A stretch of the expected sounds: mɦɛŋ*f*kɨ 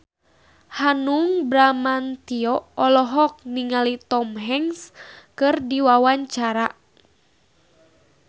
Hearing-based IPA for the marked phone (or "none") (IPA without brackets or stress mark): s